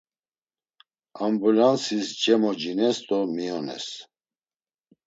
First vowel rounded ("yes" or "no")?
no